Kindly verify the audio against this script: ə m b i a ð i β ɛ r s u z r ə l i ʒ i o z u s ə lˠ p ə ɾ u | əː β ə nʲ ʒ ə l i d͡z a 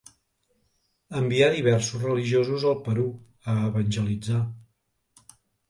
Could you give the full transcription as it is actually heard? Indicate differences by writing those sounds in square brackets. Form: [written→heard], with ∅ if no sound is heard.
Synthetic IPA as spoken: ə m b i a ð i β ɛ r s u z r ə l i ʒ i o z u [s→z] ə lˠ p ə ɾ u | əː β ə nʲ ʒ ə l i d͡z a

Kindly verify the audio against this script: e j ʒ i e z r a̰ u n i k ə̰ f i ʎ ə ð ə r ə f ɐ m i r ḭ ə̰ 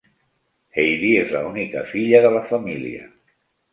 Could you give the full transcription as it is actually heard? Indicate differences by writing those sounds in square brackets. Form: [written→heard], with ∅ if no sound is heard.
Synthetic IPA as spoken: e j [ʒ→ð] i e z [r→l] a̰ u n i k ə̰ f i ʎ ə ð ə [r→l] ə f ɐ m i [r→l] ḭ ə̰

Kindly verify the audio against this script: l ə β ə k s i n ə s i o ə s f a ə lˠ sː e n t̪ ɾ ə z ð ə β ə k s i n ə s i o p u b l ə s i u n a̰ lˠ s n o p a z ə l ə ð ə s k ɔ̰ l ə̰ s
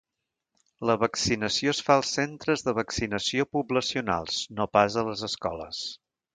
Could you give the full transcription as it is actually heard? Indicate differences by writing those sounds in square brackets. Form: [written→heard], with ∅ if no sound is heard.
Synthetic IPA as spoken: l ə β ə k s i n ə s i o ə s f a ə lˠ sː e n t̪ ɾ ə z ð ə β ə k s i n ə s i o p u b l ə s i u n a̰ lˠ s n o p a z ə l ə [ð→z] ə s k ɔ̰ l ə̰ s

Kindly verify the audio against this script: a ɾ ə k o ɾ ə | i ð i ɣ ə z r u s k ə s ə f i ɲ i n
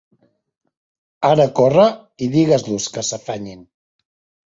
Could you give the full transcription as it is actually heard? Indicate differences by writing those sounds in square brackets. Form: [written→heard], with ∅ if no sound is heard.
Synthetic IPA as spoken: a ɾ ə k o [ɾ→r] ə | i ð i ɣ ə z [r→l] u s k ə s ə f [i→a] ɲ i n

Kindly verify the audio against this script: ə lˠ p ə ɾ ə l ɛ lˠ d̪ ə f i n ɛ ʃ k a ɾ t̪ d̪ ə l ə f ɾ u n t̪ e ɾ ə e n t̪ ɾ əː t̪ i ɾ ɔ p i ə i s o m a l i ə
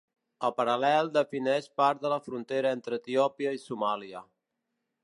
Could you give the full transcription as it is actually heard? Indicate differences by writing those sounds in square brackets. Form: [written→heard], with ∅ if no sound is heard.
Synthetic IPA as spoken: ə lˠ p ə ɾ ə l ɛ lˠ d̪ ə f i n ɛ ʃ [k→p] a ɾ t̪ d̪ ə l ə f ɾ u n t̪ e ɾ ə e n t̪ ɾ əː t̪ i [ɾ→∅] ɔ p i ə i s [o→u] m a l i ə

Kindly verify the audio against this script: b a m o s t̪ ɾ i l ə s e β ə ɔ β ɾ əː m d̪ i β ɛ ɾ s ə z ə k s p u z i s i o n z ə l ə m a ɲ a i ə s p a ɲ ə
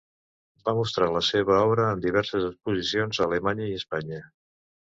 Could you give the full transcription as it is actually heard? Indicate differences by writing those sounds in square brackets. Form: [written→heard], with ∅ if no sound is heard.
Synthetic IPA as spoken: b a m [o→u] s t̪ ɾ [i→a] l ə s e β ə ɔ β ɾ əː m d̪ i β ɛ ɾ s ə z ə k s p u z i s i o n z ə l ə m a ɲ [a→ə] i ə s p a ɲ ə

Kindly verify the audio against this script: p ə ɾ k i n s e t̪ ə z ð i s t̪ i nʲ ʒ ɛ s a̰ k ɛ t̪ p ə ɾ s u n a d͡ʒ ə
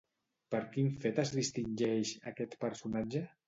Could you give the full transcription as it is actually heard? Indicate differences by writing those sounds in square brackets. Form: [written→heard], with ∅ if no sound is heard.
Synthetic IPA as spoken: p ə ɾ k i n [s→f] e t̪ ə z ð i s t̪ i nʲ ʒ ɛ [s→ʃ] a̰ k ɛ t̪ p ə ɾ s u n a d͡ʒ ə

